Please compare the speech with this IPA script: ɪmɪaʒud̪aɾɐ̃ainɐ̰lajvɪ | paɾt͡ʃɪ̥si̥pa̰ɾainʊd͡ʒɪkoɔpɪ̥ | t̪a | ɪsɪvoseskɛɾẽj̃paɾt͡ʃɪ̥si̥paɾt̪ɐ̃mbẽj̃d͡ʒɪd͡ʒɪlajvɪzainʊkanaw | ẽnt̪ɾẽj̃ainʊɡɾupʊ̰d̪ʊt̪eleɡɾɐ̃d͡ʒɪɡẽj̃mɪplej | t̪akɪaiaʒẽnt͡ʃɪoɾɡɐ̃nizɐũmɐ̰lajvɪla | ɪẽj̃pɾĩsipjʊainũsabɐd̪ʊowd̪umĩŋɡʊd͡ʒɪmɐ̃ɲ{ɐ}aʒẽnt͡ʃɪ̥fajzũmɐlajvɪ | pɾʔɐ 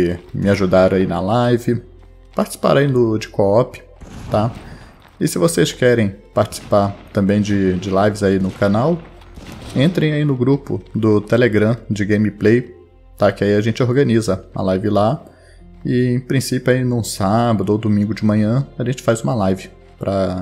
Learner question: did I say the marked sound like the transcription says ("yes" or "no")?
no